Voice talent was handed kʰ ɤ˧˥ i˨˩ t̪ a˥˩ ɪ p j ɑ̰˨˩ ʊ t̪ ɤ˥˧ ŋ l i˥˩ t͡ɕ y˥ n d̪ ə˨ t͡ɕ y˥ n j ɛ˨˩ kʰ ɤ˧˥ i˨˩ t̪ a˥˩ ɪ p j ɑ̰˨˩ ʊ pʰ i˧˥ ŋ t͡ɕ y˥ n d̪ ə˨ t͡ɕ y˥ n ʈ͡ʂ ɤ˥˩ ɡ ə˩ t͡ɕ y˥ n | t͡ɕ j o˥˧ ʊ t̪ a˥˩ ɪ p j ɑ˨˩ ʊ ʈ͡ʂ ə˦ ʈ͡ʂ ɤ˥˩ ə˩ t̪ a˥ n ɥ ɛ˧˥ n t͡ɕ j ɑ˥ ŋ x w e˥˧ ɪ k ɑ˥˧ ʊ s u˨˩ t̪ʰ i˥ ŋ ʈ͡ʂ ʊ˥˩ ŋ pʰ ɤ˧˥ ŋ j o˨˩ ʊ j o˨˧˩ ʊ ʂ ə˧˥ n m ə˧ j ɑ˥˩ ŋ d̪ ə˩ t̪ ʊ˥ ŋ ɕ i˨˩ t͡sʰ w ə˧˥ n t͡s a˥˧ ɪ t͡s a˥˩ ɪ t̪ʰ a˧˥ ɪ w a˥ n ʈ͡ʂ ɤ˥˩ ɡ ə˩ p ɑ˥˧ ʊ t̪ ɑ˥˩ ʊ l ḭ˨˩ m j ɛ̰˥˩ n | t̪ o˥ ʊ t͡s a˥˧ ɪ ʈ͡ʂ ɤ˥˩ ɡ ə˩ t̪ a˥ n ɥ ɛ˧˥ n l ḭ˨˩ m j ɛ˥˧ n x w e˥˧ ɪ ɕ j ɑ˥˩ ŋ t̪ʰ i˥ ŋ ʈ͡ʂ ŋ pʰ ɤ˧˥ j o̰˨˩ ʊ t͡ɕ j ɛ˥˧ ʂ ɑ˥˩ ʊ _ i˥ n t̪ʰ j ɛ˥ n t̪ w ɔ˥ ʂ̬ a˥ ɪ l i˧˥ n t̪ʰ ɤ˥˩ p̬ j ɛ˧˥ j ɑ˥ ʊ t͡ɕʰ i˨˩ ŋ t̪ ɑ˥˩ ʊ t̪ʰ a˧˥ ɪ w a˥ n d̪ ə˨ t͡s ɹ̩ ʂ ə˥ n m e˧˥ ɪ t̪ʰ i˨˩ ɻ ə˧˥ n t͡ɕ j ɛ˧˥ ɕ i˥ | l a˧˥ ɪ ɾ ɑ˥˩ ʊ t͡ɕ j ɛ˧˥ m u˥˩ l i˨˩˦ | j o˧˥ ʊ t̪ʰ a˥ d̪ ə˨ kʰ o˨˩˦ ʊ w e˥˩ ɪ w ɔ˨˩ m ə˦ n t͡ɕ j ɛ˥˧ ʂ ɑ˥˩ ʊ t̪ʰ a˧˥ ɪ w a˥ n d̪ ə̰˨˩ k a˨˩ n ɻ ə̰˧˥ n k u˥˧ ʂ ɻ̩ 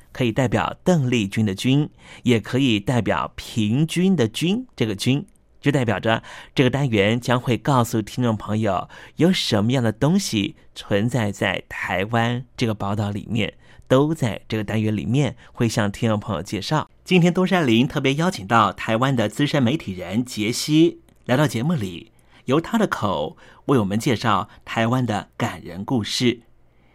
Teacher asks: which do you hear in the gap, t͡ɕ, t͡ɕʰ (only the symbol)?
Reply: t͡ɕ